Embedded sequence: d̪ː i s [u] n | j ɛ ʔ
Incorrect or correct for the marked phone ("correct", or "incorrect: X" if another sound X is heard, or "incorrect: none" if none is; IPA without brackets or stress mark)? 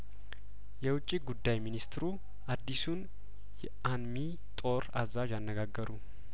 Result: correct